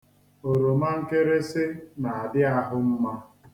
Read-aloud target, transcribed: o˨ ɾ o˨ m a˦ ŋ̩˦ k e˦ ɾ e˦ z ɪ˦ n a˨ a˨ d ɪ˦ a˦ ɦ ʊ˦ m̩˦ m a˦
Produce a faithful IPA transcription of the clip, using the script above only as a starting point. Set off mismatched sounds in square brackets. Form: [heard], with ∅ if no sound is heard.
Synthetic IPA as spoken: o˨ ɾ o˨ m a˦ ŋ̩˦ k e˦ ɾ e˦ [s] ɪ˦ n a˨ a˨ d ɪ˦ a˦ ɦ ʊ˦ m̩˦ m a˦